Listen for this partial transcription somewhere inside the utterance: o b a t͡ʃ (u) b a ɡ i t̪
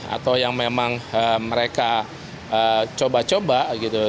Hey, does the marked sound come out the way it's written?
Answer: no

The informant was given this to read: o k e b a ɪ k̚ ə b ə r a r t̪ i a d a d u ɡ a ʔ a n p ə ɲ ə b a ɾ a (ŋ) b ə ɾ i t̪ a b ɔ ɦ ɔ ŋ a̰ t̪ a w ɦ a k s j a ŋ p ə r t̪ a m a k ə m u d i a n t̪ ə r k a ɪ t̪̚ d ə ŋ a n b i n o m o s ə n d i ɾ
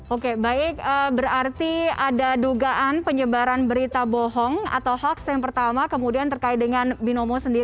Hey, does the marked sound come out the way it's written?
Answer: no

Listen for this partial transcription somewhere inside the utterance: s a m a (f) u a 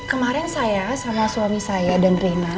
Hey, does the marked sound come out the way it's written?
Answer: no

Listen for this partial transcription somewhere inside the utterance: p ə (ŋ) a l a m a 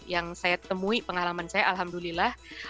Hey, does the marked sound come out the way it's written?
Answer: yes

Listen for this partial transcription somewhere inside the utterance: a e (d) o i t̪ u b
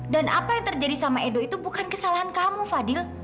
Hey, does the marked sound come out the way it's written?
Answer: yes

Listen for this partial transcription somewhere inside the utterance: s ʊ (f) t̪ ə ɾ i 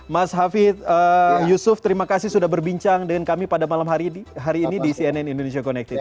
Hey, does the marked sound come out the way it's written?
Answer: yes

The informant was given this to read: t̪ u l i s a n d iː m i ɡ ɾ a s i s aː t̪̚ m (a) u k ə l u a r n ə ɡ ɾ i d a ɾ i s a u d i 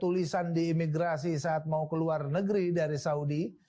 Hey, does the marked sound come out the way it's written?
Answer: yes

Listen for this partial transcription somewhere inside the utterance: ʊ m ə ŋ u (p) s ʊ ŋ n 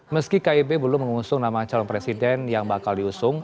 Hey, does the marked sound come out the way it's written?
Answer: no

